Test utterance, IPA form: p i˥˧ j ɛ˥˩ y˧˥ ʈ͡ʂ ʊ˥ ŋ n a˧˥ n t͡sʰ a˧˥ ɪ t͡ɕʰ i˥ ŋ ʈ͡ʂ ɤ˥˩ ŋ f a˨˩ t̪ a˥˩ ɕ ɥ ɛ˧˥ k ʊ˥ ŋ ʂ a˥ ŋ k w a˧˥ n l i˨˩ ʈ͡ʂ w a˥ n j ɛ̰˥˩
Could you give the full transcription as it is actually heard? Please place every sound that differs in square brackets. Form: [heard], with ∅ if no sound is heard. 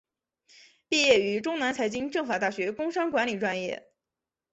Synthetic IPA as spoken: p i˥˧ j ɛ˥˩ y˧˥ ʈ͡ʂ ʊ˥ ŋ n a˧˥ n t͡sʰ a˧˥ ɪ [t͡ɕ] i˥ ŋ ʈ͡ʂ ɤ˥˩ ŋ f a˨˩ t̪ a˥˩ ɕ ɥ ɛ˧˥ k ʊ˥ ŋ ʂ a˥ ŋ k w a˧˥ n l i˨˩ ʈ͡ʂ w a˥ n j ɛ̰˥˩